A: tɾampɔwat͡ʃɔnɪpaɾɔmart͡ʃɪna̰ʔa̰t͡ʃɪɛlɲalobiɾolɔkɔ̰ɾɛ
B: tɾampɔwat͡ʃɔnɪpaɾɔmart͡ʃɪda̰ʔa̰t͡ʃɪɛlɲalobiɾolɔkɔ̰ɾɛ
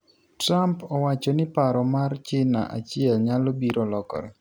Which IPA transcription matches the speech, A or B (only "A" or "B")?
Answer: A